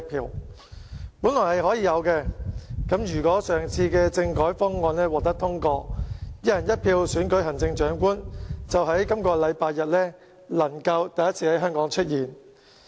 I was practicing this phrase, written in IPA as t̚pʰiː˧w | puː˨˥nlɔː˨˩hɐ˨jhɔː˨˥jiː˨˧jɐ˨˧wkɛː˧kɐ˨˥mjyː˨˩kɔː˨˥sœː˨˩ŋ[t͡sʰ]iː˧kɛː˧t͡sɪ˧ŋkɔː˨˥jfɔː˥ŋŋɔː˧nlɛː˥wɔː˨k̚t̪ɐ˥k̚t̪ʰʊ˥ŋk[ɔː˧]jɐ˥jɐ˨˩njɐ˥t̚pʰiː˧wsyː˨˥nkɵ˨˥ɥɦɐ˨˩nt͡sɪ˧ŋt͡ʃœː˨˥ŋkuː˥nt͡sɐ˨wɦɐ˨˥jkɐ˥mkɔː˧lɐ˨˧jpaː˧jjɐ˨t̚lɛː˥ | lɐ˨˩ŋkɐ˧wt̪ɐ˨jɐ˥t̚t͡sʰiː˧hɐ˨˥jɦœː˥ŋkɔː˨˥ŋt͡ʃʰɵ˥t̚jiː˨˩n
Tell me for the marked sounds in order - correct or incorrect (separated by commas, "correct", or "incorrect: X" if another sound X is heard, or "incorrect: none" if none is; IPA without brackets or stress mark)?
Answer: correct, correct